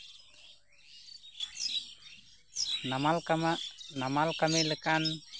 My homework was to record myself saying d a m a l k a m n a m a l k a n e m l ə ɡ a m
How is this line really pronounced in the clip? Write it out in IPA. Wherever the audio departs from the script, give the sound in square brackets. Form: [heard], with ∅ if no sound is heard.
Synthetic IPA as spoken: [n] a m a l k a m n a m a l k a [m] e [∅] l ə [k] a [n]